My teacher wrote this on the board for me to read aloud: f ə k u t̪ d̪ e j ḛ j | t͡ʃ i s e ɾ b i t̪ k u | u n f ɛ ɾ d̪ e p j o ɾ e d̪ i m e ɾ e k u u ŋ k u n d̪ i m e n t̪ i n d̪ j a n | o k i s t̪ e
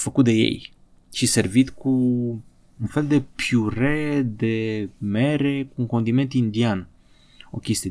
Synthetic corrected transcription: f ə k u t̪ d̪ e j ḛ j | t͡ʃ i s e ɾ v i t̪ k u | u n f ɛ l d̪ e p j u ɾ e d̪ e m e ɾ e k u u ŋ k o n d̪ i m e n t̪ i n d̪ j a n | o k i s t̪ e